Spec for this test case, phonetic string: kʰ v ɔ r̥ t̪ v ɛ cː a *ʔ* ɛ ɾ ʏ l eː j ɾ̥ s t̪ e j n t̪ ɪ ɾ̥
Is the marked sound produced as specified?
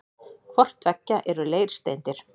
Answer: yes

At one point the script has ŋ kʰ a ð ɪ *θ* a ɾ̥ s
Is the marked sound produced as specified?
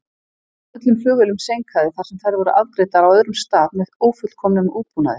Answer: yes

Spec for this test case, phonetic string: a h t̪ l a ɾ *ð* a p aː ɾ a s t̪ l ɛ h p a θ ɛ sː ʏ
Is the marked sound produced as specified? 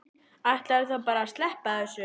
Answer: no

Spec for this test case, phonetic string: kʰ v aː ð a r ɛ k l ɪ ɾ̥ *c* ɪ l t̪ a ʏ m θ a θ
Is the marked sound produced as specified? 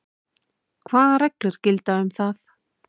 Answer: yes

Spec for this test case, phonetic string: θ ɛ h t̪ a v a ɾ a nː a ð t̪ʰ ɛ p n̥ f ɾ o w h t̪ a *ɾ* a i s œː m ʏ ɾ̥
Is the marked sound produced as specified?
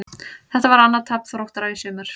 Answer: yes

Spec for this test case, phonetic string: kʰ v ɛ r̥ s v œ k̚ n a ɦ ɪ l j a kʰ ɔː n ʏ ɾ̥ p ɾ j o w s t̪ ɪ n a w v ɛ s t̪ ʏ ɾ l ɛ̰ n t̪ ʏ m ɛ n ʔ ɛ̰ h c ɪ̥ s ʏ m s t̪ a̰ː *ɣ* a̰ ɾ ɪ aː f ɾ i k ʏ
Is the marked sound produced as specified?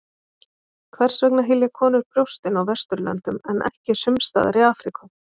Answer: no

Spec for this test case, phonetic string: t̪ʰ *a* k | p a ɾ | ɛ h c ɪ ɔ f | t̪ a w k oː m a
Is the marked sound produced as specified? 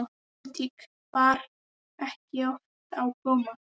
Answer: no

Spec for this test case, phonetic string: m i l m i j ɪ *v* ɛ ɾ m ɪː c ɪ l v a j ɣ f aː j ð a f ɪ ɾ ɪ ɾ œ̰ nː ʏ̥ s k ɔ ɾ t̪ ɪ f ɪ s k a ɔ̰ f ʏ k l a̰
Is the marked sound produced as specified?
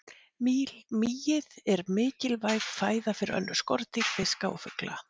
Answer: no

